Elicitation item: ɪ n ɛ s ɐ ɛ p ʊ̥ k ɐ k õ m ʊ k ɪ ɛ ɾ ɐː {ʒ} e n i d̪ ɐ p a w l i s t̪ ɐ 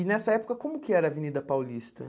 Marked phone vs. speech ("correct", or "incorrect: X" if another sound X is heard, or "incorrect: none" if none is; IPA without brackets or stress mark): incorrect: v